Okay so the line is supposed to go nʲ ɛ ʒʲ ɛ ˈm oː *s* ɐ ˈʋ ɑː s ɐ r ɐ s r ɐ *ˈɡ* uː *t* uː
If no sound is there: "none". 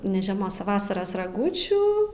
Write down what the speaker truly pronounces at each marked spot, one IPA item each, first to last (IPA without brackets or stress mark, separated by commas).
s, ɡ, t͡ʃʲ